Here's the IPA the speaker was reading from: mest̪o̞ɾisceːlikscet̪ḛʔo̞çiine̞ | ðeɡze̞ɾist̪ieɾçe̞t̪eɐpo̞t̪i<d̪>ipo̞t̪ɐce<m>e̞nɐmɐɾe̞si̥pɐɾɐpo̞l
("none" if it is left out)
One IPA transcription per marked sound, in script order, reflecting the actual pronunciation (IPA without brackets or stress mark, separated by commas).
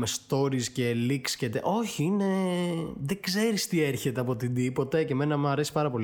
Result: d̪, m